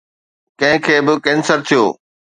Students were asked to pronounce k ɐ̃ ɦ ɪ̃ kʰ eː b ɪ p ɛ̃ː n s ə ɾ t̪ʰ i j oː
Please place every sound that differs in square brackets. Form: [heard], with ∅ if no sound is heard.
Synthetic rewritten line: k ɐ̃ ɦ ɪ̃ kʰ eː b ɪ [k] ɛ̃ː n s ə ɾ t̪ʰ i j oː